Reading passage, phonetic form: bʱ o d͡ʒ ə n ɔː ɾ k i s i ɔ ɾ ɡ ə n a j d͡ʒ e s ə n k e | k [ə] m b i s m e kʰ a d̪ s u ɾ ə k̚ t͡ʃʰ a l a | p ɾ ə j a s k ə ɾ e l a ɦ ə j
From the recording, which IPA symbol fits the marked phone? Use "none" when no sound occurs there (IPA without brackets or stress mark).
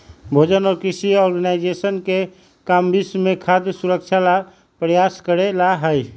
a